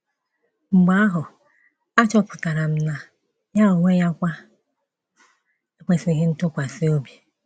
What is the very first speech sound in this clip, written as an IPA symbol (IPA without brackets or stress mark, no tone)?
ŋ͡m̩